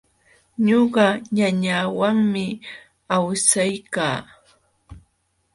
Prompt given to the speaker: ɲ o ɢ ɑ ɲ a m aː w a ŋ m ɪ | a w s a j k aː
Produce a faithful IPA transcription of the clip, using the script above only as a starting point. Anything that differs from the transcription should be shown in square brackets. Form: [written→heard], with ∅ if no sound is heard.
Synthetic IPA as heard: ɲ o ɢ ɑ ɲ a [m→ɲ] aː w a ŋ m ɪ | a w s a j k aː